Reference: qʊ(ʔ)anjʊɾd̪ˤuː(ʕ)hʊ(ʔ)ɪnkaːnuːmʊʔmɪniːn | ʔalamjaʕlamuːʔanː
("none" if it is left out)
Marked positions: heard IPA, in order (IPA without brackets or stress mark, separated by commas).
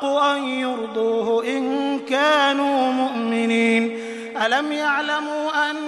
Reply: ʔ, none, ʔ